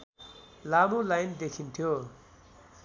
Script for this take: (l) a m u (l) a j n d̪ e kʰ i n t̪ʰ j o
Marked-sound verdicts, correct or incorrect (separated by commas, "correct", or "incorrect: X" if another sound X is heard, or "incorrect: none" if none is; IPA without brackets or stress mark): correct, correct